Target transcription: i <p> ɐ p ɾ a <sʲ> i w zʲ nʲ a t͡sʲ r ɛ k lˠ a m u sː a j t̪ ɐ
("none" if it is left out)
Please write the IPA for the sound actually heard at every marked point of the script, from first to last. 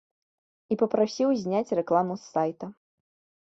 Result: p, sʲ

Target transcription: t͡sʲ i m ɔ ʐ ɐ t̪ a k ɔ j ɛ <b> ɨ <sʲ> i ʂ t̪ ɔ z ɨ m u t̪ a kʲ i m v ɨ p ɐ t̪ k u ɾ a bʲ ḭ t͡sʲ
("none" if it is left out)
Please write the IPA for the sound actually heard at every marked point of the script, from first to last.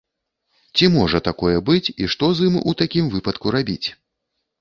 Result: b, t͡sʲ

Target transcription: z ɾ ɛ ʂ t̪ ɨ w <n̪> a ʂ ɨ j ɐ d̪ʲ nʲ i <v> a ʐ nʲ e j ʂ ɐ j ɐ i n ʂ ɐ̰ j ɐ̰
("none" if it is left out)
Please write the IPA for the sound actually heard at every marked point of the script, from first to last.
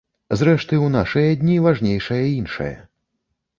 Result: n̪, v

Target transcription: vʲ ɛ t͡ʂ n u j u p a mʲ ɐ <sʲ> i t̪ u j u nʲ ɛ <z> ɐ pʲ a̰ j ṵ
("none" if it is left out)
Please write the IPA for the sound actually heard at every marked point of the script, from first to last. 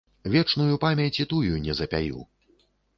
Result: t͡sʲ, z

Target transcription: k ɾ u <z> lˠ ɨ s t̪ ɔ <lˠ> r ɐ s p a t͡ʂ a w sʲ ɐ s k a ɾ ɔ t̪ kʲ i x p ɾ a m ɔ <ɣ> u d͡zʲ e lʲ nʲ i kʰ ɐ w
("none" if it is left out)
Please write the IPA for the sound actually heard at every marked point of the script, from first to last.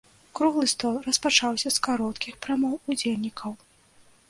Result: ɣ, lˠ, w

